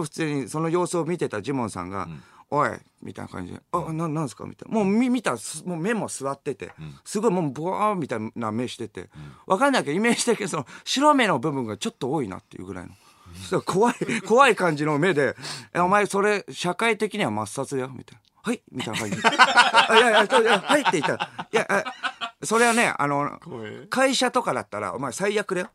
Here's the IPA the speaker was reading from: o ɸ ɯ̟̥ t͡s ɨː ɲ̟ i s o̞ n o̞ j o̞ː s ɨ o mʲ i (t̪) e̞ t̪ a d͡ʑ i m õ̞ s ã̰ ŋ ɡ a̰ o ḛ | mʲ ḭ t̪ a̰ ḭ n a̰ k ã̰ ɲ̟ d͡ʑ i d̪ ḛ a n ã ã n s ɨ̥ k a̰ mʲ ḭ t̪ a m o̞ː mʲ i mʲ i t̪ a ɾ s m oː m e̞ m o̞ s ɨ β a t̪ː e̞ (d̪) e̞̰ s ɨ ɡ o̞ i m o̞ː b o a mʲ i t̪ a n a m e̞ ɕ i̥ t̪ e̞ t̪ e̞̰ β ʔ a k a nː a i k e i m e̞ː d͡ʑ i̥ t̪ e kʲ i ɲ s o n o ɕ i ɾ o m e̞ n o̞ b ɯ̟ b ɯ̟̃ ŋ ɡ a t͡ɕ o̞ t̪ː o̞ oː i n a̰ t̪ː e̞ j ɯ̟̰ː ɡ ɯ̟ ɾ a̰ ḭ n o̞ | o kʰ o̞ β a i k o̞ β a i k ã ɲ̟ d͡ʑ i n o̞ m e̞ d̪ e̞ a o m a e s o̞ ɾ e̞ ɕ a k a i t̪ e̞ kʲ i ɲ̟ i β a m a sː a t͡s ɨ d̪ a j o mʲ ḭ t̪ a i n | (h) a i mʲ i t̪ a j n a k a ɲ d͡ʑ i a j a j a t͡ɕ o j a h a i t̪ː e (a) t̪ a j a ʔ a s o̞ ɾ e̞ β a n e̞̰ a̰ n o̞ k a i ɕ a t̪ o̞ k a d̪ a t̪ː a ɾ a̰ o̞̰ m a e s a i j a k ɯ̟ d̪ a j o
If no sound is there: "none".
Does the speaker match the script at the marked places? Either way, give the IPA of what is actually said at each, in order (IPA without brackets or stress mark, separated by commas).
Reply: t̪, t̪, h, i